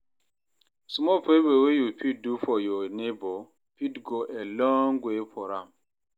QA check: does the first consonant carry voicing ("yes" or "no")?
no